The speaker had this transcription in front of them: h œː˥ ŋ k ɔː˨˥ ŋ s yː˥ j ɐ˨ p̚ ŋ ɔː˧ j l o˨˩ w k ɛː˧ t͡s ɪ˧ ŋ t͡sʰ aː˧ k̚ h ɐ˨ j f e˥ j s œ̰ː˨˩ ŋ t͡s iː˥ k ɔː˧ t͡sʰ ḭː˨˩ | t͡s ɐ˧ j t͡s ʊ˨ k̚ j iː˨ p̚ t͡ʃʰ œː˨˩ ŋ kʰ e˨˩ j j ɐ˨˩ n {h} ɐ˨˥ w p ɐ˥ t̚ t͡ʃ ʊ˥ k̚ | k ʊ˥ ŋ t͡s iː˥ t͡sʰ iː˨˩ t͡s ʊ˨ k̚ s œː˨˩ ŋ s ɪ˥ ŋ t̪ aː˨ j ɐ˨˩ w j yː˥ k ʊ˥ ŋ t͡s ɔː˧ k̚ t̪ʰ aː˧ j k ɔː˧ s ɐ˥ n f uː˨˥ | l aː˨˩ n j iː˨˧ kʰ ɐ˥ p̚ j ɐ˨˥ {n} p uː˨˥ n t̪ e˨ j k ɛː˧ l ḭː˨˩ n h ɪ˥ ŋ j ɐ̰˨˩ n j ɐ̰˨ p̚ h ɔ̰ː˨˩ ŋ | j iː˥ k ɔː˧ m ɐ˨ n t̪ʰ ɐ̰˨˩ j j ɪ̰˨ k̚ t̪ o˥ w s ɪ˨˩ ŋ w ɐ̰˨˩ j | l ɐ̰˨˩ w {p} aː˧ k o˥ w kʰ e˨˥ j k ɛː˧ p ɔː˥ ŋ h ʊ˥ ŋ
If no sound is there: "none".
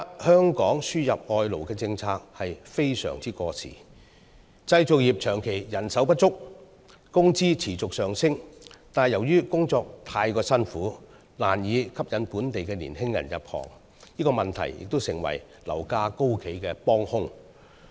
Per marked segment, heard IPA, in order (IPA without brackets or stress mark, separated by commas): s, n, k